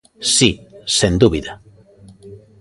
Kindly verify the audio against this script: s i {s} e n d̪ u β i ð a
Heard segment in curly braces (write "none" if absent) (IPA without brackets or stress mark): s